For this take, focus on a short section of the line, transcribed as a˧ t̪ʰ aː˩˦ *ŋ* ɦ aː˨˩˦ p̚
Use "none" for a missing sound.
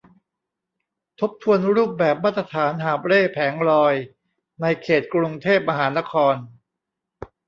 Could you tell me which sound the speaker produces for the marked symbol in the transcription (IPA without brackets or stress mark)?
n